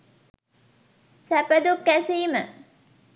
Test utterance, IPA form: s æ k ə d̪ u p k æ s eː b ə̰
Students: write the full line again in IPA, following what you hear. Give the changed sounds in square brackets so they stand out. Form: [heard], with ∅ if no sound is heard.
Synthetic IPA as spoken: s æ [p] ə d̪ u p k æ s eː [m] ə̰